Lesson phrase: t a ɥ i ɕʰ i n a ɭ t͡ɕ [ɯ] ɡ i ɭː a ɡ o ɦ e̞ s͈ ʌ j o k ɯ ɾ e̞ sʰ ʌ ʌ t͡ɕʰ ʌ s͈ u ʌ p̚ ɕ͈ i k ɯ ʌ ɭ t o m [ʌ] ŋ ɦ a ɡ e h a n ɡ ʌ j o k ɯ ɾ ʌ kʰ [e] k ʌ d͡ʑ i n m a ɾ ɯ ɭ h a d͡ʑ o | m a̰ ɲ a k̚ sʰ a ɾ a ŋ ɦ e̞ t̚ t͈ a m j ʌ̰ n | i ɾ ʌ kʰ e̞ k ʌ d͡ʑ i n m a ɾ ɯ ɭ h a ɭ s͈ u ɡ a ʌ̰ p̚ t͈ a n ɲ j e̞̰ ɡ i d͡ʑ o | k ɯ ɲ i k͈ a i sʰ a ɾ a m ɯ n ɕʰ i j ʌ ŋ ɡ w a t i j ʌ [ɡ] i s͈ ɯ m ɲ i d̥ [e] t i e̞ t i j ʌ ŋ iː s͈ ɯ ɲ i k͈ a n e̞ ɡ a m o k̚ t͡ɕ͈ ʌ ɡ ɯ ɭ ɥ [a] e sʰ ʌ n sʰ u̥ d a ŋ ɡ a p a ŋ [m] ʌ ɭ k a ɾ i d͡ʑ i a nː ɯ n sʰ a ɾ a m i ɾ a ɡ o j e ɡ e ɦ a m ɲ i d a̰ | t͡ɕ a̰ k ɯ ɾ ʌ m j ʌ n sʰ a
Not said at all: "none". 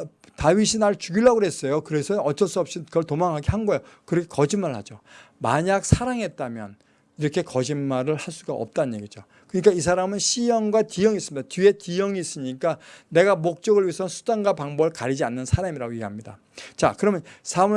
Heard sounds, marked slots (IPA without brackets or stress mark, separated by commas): u, a, e, ŋ, a, i, b